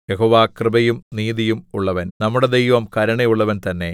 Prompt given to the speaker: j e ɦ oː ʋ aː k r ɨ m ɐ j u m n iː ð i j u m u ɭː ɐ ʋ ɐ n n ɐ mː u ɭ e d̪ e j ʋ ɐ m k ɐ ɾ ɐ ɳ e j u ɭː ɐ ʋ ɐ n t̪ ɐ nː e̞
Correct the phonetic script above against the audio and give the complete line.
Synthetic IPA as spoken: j e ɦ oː ʋ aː k r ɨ b ɐ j u m n iː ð i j u m u ɭː ɐ ʋ ɐ n n ɐ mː u ɽ e d̪ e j ʋ ɐ m k ɐ ɾ ɐ ɳ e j u ɭː ɐ ʋ ɐ n t̪ ɐ nː e̞